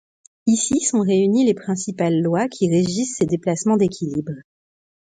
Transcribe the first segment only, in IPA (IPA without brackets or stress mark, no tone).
i